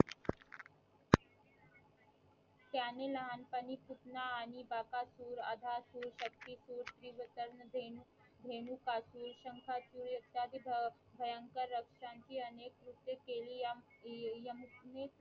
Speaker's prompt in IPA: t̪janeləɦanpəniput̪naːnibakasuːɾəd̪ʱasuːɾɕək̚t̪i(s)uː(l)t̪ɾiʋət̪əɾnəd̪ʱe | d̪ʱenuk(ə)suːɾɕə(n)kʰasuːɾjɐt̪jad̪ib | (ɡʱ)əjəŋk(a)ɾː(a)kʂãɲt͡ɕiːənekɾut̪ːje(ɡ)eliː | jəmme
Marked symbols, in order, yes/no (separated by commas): yes, no, no, no, no, no, no, no